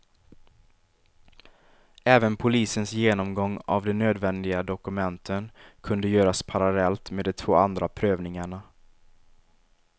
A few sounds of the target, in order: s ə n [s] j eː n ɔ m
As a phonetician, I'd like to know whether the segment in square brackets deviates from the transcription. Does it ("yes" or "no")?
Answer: no